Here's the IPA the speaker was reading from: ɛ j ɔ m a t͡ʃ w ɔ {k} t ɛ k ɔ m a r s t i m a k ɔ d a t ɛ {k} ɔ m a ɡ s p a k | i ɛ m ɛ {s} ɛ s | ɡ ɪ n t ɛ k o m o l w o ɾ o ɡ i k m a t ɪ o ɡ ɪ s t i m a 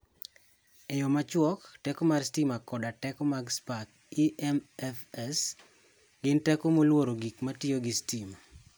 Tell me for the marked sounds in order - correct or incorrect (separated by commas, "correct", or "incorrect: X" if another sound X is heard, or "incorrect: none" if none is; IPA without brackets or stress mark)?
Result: correct, correct, incorrect: f